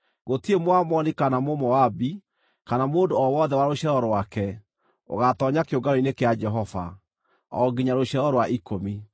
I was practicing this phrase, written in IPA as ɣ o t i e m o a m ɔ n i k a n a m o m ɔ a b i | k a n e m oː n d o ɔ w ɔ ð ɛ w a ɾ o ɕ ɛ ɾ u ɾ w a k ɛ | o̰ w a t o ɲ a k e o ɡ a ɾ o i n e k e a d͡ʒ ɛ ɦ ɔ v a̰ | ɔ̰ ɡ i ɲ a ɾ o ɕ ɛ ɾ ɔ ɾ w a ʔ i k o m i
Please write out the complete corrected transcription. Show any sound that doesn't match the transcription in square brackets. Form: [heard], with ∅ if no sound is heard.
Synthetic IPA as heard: ɣ o t i e m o a m ɔ n i k a n a m o m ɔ a b i | k a n [a] m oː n d o ɔ w ɔ ð ɛ w a ɾ o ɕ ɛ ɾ [ɔ] ɾ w a k ɛ | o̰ [ɣ] a t [ɔ] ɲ a k e o ɡ a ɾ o i n e k e a d͡ʒ ɛ ɦ ɔ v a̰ | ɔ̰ ɡ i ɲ a ɾ o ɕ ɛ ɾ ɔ ɾ w a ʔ i k o m i